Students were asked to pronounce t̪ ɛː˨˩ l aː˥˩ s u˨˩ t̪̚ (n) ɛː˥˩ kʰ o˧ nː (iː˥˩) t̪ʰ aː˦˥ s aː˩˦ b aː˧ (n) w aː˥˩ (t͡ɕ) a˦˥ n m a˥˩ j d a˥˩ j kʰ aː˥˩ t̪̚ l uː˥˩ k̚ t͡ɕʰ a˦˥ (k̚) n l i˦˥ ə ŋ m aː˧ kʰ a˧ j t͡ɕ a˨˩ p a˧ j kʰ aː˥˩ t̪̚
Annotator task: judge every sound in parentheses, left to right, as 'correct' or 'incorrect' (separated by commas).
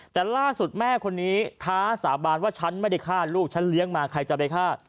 incorrect, incorrect, correct, incorrect, incorrect